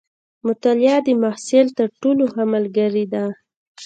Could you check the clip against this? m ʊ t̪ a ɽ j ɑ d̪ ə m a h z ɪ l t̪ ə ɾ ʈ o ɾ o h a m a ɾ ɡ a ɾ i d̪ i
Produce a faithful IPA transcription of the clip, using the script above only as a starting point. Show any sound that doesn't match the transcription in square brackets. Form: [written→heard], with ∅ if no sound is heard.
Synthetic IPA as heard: m ʊ t̪ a [ɽ→l] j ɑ d̪ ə m a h [z→s] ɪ l t̪ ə ɾ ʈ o [ɾ→l] o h a m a [ɾ→l] ɡ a ɾ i d̪ [i→a]

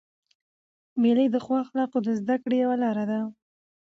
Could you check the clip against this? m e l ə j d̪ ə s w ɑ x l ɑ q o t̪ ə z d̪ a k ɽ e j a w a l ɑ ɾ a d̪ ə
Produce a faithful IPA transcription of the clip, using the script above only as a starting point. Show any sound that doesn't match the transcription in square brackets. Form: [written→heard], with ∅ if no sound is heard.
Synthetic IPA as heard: m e l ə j d̪ ə [s→x] w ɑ x l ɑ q o [t̪→d̪] ə z d̪ a k ɽ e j a w a l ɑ ɾ a d̪ [ə→a]

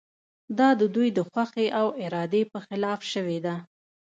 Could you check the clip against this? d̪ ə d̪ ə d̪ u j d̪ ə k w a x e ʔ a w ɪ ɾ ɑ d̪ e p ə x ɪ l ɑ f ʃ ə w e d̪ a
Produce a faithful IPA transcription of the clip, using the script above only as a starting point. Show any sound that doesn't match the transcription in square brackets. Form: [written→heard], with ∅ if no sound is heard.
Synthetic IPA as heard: d̪ [ə→ɑ] d̪ ə d̪ u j d̪ ə [k→x] w a x e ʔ a w ɪ ɾ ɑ d̪ e p ə x ɪ l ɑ f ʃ ə w e d̪ a

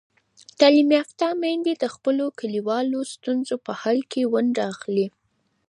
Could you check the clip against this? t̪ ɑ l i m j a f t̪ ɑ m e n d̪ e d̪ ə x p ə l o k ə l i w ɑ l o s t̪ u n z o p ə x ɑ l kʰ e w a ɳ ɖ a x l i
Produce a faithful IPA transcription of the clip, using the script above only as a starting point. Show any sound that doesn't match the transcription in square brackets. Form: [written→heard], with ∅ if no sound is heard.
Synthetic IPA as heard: t̪ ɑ l i m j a f t̪ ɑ m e n d̪ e d̪ ə x p ə l o k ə l i w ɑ l o s t̪ u n z o p ə [x→h] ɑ l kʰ e w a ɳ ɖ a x l i

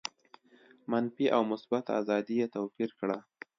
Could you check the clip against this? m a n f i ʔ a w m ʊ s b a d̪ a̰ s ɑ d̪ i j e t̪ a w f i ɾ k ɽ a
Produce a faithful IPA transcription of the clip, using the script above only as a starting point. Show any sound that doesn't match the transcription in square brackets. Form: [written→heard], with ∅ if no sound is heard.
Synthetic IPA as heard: m a n f i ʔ a w m ʊ s b a [d̪→t̪] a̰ [s→z] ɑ d̪ i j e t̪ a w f i ɾ k ɽ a

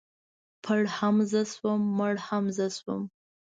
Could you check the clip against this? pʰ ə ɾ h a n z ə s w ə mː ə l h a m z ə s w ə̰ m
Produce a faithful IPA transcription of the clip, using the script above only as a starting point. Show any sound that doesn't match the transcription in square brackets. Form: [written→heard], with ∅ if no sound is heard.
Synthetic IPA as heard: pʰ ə [ɾ→ɽ] h a [n→m] z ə s w ə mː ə [l→ɽ] h a m z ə s w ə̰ m

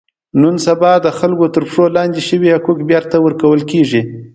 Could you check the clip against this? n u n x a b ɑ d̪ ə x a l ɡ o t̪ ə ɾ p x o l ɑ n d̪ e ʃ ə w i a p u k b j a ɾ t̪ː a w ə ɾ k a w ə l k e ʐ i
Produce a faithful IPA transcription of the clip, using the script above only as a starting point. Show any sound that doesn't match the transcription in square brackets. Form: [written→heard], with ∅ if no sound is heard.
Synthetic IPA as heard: n u n [x→s] a b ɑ d̪ ə x a l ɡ o t̪ ə ɾ p [x→ʂ] o l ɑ n d̪ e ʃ ə w i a [p→k] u k b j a ɾ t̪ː a w ə ɾ k a w ə l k e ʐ i

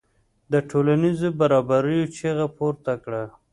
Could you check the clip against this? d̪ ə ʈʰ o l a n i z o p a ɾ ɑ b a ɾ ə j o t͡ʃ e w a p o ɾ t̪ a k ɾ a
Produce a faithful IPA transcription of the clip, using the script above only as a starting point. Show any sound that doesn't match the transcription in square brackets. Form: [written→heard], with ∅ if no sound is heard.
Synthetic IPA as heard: d̪ ə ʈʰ o l a n i z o [p→b] a ɾ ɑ b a ɾ ə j o t͡ʃ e [w→ɣ] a p o ɾ t̪ a k [ɾ→ɽ] a

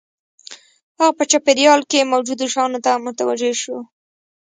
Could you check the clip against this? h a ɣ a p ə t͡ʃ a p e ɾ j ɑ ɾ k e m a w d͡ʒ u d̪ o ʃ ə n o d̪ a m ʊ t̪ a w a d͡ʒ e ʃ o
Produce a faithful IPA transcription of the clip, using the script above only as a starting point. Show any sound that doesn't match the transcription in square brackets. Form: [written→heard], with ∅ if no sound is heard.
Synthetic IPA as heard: h a ɣ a p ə t͡ʃ a p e ɾ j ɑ [ɾ→l] k e m a w d͡ʒ u d̪ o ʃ [ə→ɑ] n o [d̪→t̪] a m ʊ t̪ a w a d͡ʒ e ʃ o

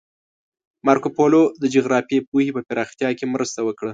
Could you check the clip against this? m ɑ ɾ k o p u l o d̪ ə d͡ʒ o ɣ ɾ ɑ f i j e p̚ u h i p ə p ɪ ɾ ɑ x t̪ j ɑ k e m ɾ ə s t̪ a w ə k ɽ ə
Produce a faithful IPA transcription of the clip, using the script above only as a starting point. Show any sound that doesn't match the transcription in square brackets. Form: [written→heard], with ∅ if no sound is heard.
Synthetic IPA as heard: m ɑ ɾ k o p [u→o] l o d̪ ə d͡ʒ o ɣ ɾ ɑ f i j e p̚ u h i p ə p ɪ ɾ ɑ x t̪ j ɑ k e m ɾ ə s t̪ a w ə k ɽ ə

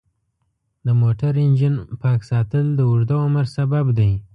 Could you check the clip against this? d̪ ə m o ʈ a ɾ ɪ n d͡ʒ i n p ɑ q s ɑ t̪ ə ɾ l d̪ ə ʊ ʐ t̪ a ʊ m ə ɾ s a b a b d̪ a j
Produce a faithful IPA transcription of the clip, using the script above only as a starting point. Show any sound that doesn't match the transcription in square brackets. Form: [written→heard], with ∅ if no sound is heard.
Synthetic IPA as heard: d̪ ə m o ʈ a ɾ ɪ n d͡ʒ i n p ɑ [q→k] s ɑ t̪ ə [ɾ→∅] l d̪ ə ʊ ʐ [t̪→d̪] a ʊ m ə ɾ s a b a b d̪ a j

